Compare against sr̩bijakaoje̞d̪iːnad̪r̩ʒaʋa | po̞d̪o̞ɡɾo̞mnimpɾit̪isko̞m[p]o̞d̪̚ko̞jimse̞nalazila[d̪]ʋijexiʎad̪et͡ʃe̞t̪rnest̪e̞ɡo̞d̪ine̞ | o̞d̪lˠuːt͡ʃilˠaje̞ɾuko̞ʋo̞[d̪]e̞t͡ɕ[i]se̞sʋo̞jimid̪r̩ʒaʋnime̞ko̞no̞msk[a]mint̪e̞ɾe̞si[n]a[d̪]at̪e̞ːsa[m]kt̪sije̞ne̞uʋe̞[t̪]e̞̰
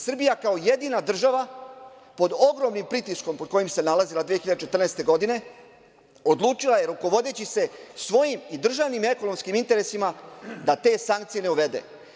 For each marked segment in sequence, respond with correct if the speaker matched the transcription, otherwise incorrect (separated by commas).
correct, correct, correct, correct, incorrect, incorrect, correct, incorrect, incorrect